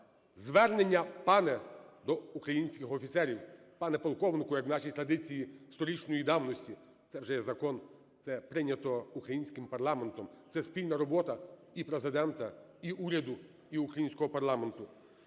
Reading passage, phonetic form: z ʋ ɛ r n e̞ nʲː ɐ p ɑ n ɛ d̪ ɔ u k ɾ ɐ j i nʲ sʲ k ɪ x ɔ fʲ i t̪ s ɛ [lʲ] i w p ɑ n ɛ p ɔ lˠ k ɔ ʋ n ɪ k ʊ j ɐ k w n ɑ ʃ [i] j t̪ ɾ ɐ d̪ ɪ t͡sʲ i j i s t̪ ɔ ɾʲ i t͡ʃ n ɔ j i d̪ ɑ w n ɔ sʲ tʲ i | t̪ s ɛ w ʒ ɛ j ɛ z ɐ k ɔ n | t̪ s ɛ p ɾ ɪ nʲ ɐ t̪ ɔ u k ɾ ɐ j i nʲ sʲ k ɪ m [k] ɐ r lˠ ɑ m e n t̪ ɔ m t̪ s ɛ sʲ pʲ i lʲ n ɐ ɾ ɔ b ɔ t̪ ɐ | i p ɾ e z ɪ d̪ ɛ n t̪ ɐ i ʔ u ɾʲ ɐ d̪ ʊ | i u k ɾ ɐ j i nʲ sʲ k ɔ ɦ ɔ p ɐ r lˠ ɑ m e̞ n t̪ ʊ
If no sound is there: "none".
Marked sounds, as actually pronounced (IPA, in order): ɾʲ, i, p

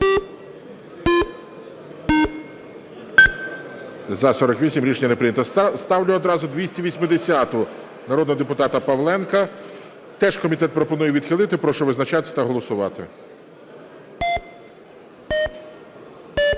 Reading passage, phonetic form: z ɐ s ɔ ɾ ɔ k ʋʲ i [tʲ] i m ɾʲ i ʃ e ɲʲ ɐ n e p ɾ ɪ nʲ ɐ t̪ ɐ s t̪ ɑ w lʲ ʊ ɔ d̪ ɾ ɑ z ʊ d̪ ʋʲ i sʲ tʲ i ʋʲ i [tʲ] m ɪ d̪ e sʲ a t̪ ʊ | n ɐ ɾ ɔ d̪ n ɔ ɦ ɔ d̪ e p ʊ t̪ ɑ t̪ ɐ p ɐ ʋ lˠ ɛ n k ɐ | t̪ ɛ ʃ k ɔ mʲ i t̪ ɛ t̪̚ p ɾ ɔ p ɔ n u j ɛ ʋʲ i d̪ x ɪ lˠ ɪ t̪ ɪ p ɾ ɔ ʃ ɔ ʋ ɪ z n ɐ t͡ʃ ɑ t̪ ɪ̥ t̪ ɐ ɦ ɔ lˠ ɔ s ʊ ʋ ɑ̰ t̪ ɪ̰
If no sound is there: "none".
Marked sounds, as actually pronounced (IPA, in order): sʲ, sʲ

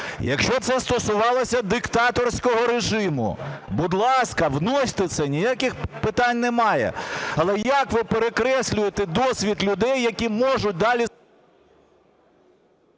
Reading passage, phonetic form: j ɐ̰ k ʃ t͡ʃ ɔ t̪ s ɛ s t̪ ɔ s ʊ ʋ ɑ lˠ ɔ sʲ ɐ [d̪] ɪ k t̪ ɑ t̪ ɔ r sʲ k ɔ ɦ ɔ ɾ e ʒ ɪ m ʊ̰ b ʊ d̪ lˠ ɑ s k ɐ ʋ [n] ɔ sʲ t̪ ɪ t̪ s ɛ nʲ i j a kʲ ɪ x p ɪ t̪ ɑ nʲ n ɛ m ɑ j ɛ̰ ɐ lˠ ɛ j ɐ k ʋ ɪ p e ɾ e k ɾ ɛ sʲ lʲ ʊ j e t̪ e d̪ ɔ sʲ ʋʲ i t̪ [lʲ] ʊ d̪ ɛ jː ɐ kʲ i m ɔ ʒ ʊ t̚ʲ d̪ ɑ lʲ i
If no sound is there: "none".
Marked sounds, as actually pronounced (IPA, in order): d̪, n, lʲ

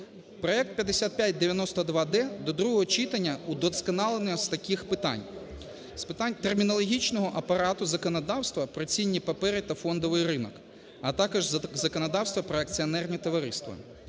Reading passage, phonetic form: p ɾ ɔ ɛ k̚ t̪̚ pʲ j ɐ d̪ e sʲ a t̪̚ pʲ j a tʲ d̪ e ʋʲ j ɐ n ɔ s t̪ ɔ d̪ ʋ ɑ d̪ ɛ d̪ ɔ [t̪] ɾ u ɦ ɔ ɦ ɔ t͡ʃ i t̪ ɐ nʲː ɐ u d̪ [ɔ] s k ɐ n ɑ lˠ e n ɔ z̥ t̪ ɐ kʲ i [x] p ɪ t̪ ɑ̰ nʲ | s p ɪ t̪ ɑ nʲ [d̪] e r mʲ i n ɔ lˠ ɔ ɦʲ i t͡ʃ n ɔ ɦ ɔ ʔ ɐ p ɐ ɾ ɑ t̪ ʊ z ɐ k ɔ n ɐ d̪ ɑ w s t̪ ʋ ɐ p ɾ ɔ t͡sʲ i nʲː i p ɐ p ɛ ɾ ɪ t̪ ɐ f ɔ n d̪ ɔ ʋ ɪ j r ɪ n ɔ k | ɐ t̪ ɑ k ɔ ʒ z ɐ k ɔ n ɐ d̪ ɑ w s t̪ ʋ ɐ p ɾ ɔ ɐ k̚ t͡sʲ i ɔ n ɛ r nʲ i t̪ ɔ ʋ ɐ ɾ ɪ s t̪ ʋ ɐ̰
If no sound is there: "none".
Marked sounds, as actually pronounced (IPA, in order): d̪, ɔ, x, t̪

